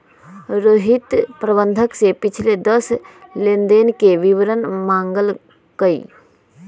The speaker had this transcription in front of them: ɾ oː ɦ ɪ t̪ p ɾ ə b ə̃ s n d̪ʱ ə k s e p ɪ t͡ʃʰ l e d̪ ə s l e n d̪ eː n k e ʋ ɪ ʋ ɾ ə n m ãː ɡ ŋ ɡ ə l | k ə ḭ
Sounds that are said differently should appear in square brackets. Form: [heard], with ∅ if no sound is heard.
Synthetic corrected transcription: ɾ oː ɦ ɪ t̪ p ɾ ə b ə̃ [∅] n d̪ʱ ə k s e p ɪ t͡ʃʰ l e d̪ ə s l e n d̪ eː n k e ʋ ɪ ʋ ɾ ə n m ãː [∅] ŋ ɡ ə l | k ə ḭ